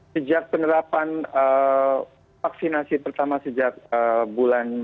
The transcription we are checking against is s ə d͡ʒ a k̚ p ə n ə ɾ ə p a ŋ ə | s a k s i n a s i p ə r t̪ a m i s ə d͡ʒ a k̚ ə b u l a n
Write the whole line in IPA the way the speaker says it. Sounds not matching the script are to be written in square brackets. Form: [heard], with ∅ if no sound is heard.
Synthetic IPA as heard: s ə d͡ʒ a k̚ p ə n ə ɾ [a] p a [n] ə | [f] a k s i n a s i p ə r t̪ a m [a] s ə d͡ʒ a k̚ ə b u l a n

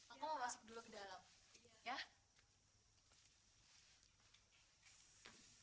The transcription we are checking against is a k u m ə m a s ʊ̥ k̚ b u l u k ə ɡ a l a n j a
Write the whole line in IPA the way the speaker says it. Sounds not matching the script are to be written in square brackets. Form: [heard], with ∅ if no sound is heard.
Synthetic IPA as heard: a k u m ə m a s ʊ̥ k̚ [d] u l u k ə [d] a l a [m] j a

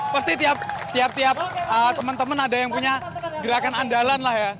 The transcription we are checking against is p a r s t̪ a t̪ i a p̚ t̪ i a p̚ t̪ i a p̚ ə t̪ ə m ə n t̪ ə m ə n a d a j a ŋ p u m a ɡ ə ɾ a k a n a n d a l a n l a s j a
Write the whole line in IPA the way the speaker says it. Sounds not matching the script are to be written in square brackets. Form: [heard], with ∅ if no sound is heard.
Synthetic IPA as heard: p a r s t̪ [i] t̪ i a p̚ t̪ i a p̚ t̪ i a p̚ ə t̪ ə m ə n t̪ ə m ə n a d a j a ŋ p u [ɲ] a ɡ ə ɾ a k a n a n d a l a n l a [h] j a

